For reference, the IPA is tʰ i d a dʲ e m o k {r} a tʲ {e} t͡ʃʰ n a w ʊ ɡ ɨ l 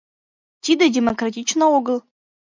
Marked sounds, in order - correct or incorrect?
correct, incorrect

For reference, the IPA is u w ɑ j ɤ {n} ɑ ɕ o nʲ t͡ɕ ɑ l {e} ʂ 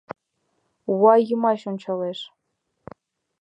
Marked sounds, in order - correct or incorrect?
incorrect, correct

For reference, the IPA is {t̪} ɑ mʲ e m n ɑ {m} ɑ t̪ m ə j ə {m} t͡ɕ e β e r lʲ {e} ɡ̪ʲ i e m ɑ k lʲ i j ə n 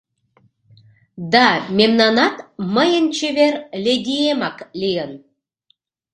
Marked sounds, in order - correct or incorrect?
incorrect, incorrect, incorrect, correct

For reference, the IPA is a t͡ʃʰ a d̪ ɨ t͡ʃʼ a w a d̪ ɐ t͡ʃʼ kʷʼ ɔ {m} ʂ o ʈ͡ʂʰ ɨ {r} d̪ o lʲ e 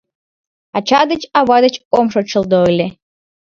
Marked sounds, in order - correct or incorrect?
correct, incorrect

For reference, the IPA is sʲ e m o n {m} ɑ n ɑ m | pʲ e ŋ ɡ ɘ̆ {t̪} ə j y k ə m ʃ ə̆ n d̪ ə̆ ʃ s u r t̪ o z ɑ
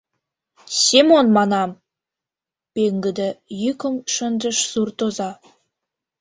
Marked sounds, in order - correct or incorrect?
correct, incorrect

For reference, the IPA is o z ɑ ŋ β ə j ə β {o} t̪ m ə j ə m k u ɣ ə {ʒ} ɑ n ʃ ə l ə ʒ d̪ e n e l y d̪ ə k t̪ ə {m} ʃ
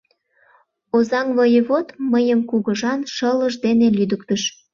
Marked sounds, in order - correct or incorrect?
correct, correct, incorrect

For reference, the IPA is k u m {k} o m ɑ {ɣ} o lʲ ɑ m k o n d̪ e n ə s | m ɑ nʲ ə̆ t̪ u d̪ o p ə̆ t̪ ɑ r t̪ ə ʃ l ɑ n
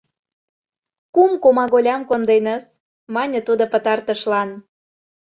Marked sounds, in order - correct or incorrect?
correct, correct

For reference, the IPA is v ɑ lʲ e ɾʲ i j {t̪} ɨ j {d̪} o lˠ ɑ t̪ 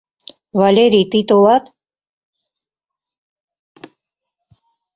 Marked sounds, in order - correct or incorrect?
correct, incorrect

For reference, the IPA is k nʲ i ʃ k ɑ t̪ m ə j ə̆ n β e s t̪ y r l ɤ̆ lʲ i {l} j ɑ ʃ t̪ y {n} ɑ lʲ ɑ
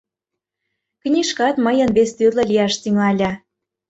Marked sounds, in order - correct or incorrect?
incorrect, incorrect

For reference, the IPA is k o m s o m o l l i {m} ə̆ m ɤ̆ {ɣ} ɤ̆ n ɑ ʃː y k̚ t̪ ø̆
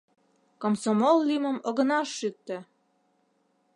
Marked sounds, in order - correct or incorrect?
correct, correct

